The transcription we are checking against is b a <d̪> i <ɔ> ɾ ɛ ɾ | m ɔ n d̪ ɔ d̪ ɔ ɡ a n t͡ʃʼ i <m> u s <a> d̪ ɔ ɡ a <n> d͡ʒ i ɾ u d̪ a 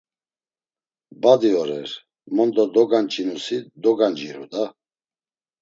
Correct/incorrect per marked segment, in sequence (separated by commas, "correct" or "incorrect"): correct, correct, incorrect, incorrect, correct